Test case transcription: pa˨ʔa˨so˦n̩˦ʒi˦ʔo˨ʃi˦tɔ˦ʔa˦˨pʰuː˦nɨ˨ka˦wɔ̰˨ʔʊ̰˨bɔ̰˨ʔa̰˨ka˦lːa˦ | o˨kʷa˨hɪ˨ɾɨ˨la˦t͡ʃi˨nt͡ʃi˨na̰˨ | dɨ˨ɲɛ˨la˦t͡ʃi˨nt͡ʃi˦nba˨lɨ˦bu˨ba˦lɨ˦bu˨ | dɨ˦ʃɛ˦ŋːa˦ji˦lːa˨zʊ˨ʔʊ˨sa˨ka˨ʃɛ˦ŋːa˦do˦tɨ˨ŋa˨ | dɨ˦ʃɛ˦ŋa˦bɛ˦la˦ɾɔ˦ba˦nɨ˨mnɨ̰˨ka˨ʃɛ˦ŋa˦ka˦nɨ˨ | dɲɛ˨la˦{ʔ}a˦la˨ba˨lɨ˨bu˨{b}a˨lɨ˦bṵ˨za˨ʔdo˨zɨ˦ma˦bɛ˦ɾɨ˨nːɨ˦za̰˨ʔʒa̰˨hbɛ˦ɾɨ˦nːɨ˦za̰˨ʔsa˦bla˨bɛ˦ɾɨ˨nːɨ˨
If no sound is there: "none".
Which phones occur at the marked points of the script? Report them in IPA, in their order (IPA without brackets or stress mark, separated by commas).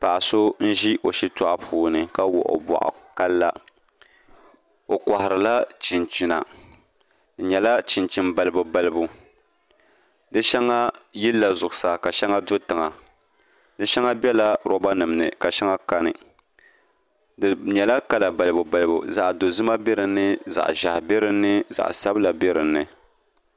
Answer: k, b